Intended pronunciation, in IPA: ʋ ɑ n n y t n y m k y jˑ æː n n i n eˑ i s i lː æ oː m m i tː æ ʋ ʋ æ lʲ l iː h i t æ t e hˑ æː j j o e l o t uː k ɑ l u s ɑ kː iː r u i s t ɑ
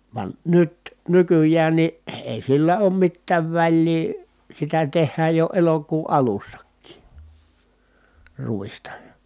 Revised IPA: ʋ ɑ n n y t n y k y jˑ æː n n i eˑ i s i lː æ oː m m i tː æː ʋ ʋ æ lʲ l iː s i t æ t e hˑ æː j j o e l o k uː ʔ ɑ l u sː ɑ kː iː r u i s t ɑ